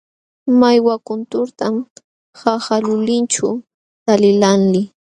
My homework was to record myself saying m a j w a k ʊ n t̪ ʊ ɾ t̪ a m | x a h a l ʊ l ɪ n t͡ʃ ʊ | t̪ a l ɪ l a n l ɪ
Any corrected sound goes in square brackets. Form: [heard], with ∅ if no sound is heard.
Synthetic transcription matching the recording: m a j w a k ʊ n t̪ ʊ ɾ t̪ a m | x a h a l ʊ l ɪ n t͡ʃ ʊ | t̪ a l ɪ l a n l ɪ